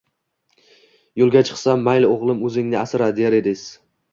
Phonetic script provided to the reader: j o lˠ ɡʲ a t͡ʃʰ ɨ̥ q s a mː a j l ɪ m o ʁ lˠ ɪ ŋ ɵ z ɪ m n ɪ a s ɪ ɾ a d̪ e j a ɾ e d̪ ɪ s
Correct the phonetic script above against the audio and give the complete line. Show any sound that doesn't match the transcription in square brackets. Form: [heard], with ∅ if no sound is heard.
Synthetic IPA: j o lˠ ɡʲ a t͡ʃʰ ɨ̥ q s a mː a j l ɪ [∅] o ʁ lˠ ɪ [m] ɵ z ɪ [ŋ] n ɪ a s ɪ ɾ a d̪ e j a ɾ e d̪ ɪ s